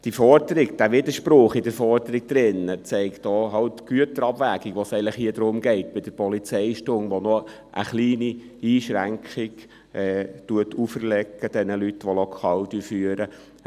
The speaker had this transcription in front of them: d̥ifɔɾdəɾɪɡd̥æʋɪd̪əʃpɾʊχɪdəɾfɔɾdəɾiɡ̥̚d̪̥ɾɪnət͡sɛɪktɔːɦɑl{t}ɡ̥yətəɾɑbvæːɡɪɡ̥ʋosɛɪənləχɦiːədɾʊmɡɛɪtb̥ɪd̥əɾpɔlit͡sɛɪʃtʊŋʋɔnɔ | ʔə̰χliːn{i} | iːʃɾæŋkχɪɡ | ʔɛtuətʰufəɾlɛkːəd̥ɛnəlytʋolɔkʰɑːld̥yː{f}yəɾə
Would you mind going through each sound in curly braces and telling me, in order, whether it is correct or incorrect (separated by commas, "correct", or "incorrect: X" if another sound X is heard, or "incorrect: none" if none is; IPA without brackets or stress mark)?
correct, correct, correct